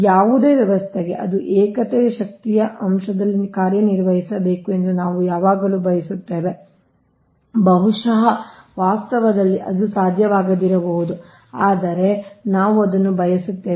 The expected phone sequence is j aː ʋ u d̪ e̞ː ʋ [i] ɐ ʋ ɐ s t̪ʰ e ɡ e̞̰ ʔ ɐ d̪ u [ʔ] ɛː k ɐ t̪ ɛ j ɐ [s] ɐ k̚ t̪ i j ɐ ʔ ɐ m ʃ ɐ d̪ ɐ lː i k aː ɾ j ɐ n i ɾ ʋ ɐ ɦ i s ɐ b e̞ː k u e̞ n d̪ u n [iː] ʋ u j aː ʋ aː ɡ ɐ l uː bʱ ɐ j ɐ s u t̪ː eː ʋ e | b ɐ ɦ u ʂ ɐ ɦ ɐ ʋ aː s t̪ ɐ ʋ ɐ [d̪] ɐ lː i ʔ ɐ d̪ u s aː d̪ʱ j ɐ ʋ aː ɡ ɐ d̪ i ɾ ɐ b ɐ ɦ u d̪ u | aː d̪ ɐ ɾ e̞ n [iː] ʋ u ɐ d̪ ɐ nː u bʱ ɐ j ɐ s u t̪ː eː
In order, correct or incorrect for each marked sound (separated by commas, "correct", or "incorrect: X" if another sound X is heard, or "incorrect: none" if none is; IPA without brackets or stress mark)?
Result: incorrect: j, correct, incorrect: ʃ, incorrect: aː, correct, incorrect: aː